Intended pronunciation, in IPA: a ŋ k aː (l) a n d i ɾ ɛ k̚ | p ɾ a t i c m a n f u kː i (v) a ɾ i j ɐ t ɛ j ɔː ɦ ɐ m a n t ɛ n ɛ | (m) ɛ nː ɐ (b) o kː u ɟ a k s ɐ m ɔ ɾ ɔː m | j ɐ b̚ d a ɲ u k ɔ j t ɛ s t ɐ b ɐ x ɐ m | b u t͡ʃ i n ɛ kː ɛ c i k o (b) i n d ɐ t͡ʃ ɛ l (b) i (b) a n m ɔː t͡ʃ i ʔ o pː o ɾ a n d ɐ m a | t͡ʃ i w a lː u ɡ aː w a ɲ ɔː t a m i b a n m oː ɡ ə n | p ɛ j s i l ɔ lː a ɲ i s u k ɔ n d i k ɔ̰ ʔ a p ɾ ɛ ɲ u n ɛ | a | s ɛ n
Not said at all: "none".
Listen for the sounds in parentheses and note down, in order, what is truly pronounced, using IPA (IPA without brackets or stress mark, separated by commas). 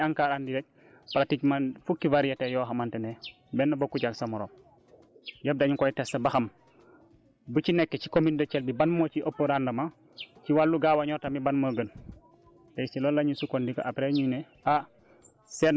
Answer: ɾ, v, b, b, m, b, b